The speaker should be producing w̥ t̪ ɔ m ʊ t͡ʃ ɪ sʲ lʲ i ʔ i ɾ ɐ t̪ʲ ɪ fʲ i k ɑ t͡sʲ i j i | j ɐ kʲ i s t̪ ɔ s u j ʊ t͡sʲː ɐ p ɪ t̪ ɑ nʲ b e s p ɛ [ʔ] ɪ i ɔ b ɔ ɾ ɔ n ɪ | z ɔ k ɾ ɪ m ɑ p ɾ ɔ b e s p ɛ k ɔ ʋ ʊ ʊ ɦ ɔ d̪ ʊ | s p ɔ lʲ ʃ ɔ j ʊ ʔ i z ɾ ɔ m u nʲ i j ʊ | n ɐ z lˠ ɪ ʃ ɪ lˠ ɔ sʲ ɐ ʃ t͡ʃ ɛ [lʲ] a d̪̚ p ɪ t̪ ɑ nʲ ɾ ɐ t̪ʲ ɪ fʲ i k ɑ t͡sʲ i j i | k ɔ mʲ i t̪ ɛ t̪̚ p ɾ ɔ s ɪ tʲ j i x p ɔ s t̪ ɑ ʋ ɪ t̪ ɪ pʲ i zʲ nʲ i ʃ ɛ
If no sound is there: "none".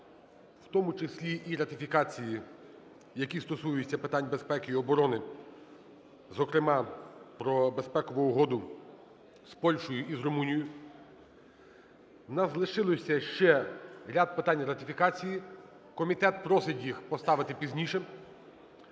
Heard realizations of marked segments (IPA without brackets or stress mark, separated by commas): k, ɾʲ